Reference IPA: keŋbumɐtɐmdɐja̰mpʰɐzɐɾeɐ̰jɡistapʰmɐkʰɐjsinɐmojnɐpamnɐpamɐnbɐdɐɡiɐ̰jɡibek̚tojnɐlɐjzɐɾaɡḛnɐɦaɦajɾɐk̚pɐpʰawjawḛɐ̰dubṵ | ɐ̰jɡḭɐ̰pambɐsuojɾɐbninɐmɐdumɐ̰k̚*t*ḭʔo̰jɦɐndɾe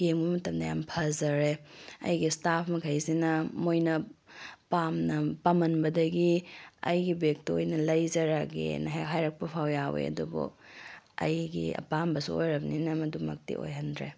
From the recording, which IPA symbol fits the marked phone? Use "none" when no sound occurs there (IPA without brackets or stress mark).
t